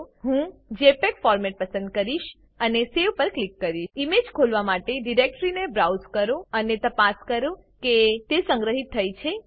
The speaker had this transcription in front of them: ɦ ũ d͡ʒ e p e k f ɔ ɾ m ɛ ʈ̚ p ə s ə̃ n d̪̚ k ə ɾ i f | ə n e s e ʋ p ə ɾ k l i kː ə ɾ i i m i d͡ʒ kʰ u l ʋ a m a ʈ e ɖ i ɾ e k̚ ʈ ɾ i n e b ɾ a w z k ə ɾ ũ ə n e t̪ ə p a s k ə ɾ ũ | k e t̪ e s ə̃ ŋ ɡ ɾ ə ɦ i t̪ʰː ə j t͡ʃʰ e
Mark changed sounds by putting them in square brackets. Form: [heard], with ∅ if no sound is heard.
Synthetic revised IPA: ɦ ũ d͡ʒ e p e k f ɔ ɾ m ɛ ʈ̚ p ə s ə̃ n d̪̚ k ə ɾ i [ʃ] | ə n e s e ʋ p ə ɾ k l i kː ə ɾ i i m [e] d͡ʒ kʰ [o] l ʋ a m a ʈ e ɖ i ɾ e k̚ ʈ ɾ i n e b ɾ a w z k ə ɾ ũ ə n e t̪ ə p a s k ə ɾ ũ | k e t̪ e s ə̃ ŋ ɡ ɾ ə ɦ i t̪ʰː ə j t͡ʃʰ e

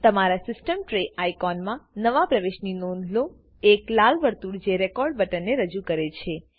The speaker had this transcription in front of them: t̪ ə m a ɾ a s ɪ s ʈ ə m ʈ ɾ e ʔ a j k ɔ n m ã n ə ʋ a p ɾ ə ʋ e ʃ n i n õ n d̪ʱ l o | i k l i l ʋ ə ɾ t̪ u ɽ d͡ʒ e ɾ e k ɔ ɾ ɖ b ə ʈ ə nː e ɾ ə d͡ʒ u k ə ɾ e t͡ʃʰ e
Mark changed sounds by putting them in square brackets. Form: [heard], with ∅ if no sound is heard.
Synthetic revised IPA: t̪ ə m a ɾ a s ɪ s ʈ ə m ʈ ɾ e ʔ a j k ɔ n m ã n ə ʋ a p ɾ ə ʋ e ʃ n i n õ n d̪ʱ l o | [e] k l [a] l ʋ ə ɾ t̪ u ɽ d͡ʒ e ɾ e k ɔ ɾ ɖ b ə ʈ ə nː e ɾ ə d͡ʒ u k ə ɾ e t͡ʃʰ e

